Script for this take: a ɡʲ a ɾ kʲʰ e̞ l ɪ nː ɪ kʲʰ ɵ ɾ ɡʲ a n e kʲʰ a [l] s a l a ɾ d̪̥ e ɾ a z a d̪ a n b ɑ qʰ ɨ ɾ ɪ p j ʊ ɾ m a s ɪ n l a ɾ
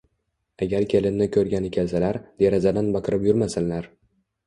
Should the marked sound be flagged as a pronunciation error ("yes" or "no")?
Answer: no